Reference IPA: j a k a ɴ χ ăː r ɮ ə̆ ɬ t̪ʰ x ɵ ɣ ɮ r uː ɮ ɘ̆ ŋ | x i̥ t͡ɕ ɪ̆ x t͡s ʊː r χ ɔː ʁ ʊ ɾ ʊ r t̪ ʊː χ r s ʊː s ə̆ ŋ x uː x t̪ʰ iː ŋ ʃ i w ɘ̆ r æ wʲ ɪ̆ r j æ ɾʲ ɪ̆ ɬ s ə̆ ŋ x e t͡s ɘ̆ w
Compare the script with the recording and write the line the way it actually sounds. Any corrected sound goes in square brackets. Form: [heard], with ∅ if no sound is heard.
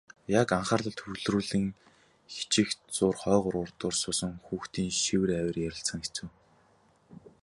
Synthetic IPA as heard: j a k a ɴ χ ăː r ɮ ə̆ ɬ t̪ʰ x ɵ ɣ ɮ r uː ɮ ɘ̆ ŋ | x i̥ t͡ɕ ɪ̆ x t͡s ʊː r χ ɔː ʁ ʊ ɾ ʊ r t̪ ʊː [∅] r s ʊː s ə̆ ŋ x uː x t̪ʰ iː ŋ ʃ i w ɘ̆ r æ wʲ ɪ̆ r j æ ɾʲ ɪ̆ ɬ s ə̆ ŋ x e t͡s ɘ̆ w

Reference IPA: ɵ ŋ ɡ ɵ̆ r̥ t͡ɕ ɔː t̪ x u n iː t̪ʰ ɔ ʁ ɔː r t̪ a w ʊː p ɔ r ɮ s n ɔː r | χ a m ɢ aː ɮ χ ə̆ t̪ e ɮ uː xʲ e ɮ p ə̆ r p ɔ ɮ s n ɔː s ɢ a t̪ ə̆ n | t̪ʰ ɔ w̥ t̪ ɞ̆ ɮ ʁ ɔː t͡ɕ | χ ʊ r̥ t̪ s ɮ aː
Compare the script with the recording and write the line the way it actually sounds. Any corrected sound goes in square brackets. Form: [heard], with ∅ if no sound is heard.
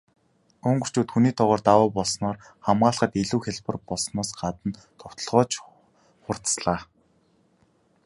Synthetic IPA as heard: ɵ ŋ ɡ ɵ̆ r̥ t͡ɕ [uː] t̪ x u n iː t̪ʰ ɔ ʁ ɔː r t̪ a w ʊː p ɔ [∅] ɮ s n ɔː r | χ a m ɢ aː ɮ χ ə̆ t̪ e ɮ uː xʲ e ɮ p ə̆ r p ɔ ɮ s n ɔː s ɢ a t̪ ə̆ n | t̪ʰ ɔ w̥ t̪ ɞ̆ ɮ ʁ ɔː t͡ɕ | χ ʊ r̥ t̪ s ɮ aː

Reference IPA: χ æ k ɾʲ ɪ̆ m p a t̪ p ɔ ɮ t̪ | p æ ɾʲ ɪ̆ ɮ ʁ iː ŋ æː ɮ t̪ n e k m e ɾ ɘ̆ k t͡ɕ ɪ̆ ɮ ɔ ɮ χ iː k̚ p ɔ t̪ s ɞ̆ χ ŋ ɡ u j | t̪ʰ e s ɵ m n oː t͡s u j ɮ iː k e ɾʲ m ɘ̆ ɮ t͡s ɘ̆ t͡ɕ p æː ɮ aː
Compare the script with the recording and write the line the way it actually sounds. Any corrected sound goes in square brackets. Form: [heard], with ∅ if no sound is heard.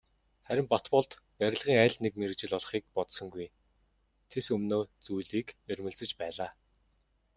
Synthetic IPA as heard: χ æ [∅] ɾʲ ɪ̆ m p a t̪ p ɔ ɮ t̪ | p æ ɾʲ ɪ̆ ɮ ʁ iː ŋ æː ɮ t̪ n e k m e ɾ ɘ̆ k t͡ɕ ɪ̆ ɮ ɔ ɮ χ iː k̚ p ɔ t̪ s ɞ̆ [∅] ŋ ɡ u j | t̪ʰ e s ɵ m n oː t͡s u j ɮ iː k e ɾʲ m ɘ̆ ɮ t͡s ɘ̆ t͡ɕ p æː ɮ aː

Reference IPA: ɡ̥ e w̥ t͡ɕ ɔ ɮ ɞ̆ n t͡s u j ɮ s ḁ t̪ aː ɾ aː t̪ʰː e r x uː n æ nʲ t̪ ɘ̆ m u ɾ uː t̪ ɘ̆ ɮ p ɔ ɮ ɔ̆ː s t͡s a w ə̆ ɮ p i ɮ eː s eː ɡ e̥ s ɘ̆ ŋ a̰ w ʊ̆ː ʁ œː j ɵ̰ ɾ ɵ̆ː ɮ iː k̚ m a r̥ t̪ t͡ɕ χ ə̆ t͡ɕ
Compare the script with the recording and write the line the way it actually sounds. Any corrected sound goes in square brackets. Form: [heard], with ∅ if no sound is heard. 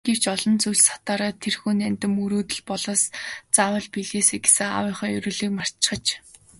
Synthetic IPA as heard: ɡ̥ e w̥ t͡ɕ ɔ ɮ ɞ̆ n t͡s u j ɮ s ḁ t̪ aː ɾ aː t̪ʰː e r x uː n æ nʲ t̪ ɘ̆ m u ɾ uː t̪ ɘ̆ ɮ p ɔ ɮ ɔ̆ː s t͡s a w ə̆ ɮ p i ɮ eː s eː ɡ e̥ s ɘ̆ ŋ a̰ w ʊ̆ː [χ] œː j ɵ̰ ɾ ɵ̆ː ɮ iː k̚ m a r̥ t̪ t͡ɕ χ ə̆ t͡ɕ

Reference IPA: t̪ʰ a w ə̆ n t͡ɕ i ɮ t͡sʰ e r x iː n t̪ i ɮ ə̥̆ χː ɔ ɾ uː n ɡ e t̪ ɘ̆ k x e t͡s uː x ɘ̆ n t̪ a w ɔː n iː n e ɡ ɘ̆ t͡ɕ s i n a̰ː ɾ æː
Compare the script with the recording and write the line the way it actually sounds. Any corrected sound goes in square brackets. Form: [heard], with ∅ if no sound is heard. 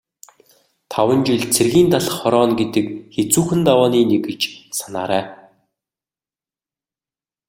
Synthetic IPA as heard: t̪ʰ a w ə̆ n t͡ɕ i ɮ t͡sʰ e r [ɣ] iː n t̪ [a] ɮ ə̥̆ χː ɔ ɾ [ɔː] n ɡ e t̪ ɘ̆ k x e t͡s uː x ɘ̆ n t̪ a w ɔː n iː n e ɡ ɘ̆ t͡ɕ s [a] n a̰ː ɾ æː

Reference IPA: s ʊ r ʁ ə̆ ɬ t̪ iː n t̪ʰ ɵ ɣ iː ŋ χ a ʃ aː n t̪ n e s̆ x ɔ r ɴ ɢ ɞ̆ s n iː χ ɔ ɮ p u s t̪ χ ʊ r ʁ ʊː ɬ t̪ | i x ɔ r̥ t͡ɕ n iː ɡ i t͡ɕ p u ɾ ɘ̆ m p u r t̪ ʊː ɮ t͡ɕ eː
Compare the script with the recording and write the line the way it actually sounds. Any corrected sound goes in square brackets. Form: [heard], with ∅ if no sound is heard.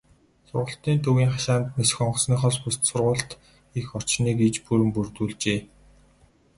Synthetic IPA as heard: s ʊ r ʁ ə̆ ɬ t̪ iː n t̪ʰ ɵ ɣ iː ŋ χ a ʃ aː n t̪ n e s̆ x ɔ [∅] ɴ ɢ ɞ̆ s n iː χ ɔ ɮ p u s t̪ [s] ʊ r ʁ ʊː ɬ t̪ | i x ɔ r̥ t͡ɕ n iː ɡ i t͡ɕ p u ɾ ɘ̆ m p u r t̪ [uː] ɮ t͡ɕ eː

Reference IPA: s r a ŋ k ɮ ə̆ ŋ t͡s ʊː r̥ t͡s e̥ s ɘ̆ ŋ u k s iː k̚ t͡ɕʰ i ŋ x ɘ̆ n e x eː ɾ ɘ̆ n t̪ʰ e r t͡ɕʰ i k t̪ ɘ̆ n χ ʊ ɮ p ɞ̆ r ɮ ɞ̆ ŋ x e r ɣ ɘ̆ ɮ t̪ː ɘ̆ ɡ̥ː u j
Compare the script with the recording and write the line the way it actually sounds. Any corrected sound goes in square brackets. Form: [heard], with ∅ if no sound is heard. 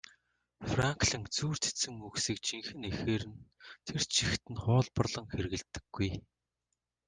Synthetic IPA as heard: [f] r a ŋ k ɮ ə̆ ŋ t͡s [uː] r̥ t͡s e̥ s ɘ̆ ŋ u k s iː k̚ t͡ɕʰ i ŋ x ɘ̆ n e x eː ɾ ɘ̆ n t̪ʰ e r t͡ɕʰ i [x] t̪ ɘ̆ n χ [ʊː] ɮ p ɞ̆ r ɮ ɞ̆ ŋ x e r ɣ ɘ̆ ɮ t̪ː ɘ̆ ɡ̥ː u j

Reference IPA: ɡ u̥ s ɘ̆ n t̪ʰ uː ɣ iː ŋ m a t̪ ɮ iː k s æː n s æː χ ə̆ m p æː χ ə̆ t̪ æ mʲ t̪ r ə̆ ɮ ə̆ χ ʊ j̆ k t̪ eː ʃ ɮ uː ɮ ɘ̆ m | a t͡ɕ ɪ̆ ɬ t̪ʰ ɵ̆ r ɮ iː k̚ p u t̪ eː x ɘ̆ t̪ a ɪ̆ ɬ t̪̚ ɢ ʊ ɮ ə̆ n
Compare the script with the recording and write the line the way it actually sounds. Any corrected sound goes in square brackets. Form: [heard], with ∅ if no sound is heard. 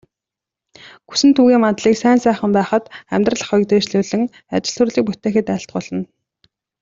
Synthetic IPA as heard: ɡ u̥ s ɘ̆ n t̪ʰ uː ɣ iː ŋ m a t̪ ɮ iː k s æː n s æː χ ə̆ m p æː χ ə̆ t̪ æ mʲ t̪ r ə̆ ɮ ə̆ χ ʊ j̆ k t̪ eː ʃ ɮ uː ɮ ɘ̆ [ŋ] | a t͡ɕ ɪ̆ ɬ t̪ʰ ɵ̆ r ɮ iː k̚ p u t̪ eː x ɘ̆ t̪ [æ] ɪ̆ ɬ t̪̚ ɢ ʊ ɮ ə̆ n

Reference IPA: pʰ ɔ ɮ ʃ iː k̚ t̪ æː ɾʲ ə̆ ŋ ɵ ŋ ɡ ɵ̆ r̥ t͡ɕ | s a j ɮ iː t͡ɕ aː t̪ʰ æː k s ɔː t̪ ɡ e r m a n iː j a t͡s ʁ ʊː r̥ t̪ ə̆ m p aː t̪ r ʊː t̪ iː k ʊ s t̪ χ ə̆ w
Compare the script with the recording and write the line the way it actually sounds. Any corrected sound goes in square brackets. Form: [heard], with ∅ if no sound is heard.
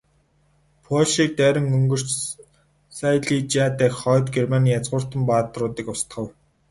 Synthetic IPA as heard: pʰ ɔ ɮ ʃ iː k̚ t̪ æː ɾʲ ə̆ ŋ ɵ ŋ ɡ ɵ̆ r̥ t͡ɕ | s a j ɮ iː t͡ɕ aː [t̪] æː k [χ] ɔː t̪ ɡ e r m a n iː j a t͡s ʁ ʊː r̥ t̪ ə̆ m p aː t̪ r ʊː t̪ iː k ʊ s t̪ χ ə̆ w

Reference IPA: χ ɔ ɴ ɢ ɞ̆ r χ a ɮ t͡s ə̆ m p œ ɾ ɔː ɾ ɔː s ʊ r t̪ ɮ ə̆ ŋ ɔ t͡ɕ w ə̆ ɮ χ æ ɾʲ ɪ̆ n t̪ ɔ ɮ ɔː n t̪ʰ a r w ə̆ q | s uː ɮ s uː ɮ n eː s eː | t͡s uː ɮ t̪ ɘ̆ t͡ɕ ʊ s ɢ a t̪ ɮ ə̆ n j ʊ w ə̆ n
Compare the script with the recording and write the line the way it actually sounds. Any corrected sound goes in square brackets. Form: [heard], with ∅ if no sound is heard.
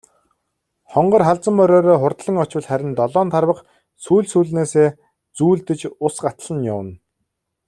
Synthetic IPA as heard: χ ɔ ɴ ɢ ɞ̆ r χ a ɮ t͡s ə̆ m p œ ɾ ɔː ɾ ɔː [χ] ʊ r t̪ ɮ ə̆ ŋ ɔ t͡ɕ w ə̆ ɮ χ æ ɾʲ ɪ̆ n t̪ ɔ ɮ ɔː n t̪ʰ a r w ə̆ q | s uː ɮ s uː ɮ n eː s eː | t͡s uː ɮ t̪ ɘ̆ t͡ɕ ʊ s ɢ a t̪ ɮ ə̆ n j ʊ w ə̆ n

